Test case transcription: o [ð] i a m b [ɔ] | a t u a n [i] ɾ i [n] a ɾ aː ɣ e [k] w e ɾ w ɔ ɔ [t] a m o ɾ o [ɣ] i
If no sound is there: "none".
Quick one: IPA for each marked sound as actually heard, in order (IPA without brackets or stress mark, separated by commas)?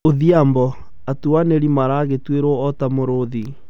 ð, ɔ, e, m, t, t, ð